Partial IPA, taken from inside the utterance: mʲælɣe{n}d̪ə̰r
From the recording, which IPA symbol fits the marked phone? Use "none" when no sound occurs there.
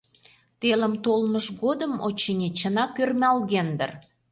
n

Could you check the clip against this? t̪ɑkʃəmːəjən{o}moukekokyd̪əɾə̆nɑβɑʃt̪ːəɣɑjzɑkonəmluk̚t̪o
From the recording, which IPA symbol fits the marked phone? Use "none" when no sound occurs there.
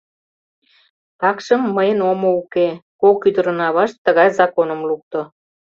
o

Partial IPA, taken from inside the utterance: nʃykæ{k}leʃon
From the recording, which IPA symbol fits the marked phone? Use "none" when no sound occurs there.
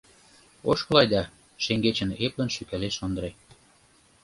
none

